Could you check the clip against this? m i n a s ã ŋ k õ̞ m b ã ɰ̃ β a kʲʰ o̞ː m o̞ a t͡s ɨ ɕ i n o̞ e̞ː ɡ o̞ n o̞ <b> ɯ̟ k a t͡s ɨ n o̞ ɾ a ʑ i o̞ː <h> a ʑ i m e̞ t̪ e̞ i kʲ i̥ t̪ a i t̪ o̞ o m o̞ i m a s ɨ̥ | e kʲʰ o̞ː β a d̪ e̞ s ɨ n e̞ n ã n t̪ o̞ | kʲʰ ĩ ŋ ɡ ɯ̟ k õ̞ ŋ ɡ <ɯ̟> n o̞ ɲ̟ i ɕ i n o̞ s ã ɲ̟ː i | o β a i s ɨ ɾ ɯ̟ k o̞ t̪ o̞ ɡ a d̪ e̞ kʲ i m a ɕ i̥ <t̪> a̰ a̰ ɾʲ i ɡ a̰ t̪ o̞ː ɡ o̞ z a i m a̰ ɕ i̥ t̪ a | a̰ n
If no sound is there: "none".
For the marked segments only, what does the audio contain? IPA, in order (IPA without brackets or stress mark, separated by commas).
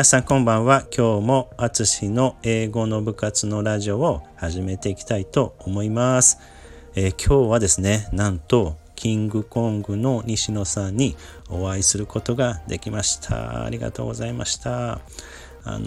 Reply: b, h, ɯ̟, t̪ʰ